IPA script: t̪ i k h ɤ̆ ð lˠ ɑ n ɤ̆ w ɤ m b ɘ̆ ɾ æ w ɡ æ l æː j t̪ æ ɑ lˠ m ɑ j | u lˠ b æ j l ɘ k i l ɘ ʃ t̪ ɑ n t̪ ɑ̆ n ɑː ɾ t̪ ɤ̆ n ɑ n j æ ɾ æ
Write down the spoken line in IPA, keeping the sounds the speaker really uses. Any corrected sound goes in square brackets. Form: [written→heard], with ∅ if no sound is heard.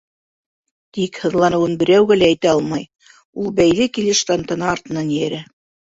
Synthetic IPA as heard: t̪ i k h ɤ̆ ð lˠ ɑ n ɤ̆ w ɤ [m→n] b ɘ̆ ɾ æ w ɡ æ l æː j t̪ æ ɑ lˠ m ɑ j | u lˠ b æ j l ɘ k i l ɘ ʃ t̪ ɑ n t̪ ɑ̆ n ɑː ɾ t̪ ɤ̆ n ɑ n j æ ɾ æ